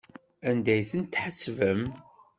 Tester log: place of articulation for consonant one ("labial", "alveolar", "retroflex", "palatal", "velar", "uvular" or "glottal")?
alveolar